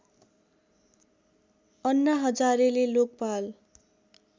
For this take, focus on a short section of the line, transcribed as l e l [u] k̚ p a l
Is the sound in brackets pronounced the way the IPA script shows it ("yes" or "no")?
no